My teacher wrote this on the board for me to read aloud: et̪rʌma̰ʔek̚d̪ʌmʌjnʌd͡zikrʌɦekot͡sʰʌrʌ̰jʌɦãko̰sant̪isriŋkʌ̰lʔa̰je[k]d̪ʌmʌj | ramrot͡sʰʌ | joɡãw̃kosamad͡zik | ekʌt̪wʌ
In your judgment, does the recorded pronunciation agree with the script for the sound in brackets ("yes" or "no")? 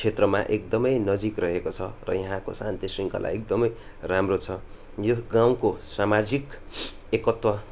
yes